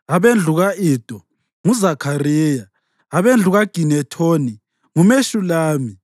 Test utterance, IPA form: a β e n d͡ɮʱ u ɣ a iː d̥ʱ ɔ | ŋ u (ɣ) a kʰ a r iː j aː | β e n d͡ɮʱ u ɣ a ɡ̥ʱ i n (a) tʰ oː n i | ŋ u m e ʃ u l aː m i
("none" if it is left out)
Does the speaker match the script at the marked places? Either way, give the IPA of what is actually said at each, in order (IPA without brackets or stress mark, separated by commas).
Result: z, ɛ